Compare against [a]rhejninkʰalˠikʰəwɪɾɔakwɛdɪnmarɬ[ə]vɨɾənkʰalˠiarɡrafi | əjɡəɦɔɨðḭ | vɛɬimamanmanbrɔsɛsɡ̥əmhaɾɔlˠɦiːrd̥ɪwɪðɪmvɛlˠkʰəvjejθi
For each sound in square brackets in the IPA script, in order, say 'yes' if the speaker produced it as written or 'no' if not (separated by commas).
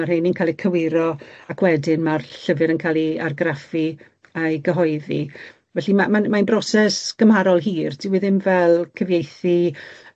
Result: yes, yes